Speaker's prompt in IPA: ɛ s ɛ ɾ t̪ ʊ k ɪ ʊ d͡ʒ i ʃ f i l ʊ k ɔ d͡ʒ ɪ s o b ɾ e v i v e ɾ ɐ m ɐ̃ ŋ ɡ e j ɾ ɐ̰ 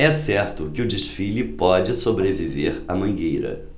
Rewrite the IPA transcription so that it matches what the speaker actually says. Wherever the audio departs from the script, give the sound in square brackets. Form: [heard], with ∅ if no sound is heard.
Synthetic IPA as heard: ɛ s ɛ ɾ t̪ ʊ k ɪ ʊ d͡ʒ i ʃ f i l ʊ [p] ɔ d͡ʒ ɪ s o b ɾ e v i v e ɾ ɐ m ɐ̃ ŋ ɡ e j ɾ ɐ̰

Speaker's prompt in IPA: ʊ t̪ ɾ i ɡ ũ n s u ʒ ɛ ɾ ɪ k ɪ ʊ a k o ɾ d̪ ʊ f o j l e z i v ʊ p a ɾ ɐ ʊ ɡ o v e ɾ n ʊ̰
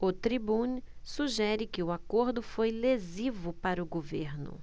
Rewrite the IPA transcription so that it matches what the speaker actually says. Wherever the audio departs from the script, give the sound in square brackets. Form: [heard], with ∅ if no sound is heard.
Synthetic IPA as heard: ʊ t̪ ɾ i [b] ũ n s u ʒ ɛ ɾ ɪ k ɪ ʊ a k o ɾ d̪ ʊ f o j l e z i v ʊ p a ɾ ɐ ʊ ɡ o v e ɾ n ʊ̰

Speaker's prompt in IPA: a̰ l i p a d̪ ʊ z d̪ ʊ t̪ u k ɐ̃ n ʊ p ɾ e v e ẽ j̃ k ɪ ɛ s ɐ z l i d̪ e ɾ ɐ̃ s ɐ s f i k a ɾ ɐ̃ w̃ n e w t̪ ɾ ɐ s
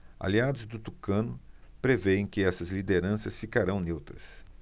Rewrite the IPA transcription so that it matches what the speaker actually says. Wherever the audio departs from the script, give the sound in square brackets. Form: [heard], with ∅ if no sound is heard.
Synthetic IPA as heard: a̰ l i [∅] a d̪ ʊ z d̪ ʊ t̪ u k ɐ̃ n ʊ p ɾ e v e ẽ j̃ k ɪ ɛ s ɐ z l i d̪ e ɾ ɐ̃ s ɐ s f i k a ɾ ɐ̃ w̃ n e w t̪ ɾ ɐ s

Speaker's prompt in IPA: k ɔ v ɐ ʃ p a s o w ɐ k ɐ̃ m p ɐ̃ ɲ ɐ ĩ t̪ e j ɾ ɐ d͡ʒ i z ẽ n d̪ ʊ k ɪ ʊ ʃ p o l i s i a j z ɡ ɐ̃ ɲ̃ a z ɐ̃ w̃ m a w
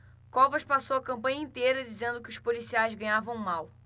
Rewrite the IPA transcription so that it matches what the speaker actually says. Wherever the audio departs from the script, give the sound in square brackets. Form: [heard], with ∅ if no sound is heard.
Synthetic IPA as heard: k ɔ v ɐ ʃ p a s o w ɐ k ɐ̃ m p ɐ̃ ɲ ɐ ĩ t̪ e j ɾ ɐ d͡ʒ i z ẽ n d̪ ʊ k ɪ ʊ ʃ p o l i s i a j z ɡ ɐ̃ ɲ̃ a [v] ɐ̃ w̃ m a w

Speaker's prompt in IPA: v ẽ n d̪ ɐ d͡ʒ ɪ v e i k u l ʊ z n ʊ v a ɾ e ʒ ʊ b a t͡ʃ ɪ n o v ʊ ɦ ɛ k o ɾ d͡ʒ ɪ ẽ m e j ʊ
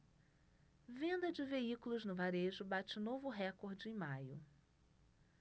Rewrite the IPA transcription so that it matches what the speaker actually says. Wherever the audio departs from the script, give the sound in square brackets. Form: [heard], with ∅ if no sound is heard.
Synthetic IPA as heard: v ẽ n d̪ ɐ d͡ʒ ɪ v e i k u l ʊ z n ʊ v a ɾ e ʒ ʊ b a t͡ʃ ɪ n o v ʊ ɦ ɛ k o ɾ d͡ʒ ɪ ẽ m [a] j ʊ

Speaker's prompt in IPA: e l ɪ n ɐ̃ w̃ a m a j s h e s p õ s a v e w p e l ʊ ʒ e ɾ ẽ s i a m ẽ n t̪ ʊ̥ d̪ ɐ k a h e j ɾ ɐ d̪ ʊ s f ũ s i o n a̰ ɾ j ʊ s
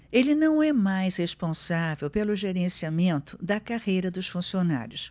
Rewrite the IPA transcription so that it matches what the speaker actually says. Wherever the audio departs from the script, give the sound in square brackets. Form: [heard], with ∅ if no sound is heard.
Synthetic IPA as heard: e l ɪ n ɐ̃ w̃ [ɛ] m a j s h e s p õ s a v e w p e l ʊ ʒ e ɾ ẽ s i a m ẽ n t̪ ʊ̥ d̪ ɐ k a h e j ɾ ɐ d̪ ʊ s f ũ s i o n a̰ ɾ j ʊ s

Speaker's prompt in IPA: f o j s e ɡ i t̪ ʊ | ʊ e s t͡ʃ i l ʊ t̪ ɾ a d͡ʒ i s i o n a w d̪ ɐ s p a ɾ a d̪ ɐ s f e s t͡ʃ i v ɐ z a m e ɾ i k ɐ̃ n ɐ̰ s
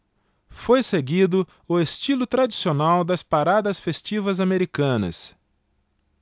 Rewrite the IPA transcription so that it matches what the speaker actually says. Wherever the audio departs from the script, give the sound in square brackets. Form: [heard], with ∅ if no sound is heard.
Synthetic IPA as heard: f o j s e ɡ i [d̪] ʊ | ʊ e s t͡ʃ i l ʊ t̪ ɾ a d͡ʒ i s i o n a w d̪ ɐ s p a ɾ a d̪ ɐ s f e s t͡ʃ i v ɐ z a m e ɾ i k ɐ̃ n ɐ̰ s

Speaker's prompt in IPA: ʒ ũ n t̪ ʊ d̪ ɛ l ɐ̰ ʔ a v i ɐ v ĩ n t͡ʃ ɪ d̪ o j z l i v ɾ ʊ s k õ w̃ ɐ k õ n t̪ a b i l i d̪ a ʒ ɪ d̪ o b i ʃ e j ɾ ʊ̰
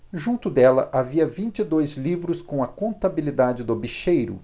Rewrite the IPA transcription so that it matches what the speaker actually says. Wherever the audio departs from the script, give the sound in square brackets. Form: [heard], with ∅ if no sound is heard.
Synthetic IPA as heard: ʒ ũ n t̪ ʊ d̪ ɛ l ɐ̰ ʔ a v i ɐ v ĩ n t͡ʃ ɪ d̪ o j z l i v ɾ ʊ s k õ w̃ ɐ k õ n t̪ a b i l i d̪ a [d͡ʒ] ɪ d̪ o b i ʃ e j ɾ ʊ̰

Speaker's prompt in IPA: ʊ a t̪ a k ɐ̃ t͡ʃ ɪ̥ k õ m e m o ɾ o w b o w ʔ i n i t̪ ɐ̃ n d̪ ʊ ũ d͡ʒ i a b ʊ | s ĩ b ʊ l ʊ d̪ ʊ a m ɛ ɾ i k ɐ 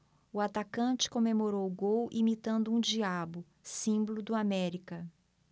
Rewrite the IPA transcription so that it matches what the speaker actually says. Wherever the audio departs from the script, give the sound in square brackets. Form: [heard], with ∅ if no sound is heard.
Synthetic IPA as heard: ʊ a t̪ a k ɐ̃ t͡ʃ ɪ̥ k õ m e m o ɾ o w [ɡ] o w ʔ i [m] i t̪ ɐ̃ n d̪ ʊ ũ d͡ʒ i a b ʊ | s ĩ b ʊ l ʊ d̪ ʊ a m ɛ ɾ i k ɐ

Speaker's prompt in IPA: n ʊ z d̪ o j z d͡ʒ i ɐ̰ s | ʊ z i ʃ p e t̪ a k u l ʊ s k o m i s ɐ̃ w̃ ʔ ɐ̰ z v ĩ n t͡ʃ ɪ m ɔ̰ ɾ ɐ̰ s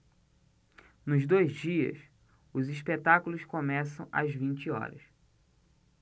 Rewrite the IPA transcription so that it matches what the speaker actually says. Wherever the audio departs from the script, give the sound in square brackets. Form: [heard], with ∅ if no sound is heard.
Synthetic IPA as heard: n ʊ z d̪ o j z d͡ʒ i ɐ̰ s | ʊ z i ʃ p e t̪ a k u l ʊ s k o m [ɛ] s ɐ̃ w̃ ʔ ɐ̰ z v ĩ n t͡ʃ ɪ [∅] ɔ̰ ɾ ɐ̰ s

